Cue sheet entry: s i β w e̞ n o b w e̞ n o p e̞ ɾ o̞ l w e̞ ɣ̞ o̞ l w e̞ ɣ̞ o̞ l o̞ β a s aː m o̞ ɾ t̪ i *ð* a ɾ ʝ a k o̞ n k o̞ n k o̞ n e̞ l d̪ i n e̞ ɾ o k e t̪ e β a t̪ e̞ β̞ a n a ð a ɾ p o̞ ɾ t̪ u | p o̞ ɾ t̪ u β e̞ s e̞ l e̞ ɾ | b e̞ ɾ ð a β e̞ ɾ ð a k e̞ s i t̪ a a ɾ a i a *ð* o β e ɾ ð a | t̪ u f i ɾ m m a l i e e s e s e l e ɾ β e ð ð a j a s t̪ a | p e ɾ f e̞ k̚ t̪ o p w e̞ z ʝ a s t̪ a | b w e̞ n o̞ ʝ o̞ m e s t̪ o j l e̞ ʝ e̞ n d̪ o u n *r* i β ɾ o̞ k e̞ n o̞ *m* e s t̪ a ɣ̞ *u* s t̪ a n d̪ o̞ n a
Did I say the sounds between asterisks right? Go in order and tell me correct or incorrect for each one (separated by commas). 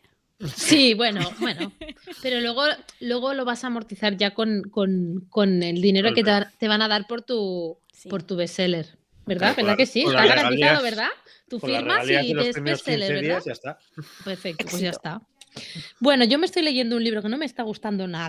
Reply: incorrect, correct, incorrect, correct, correct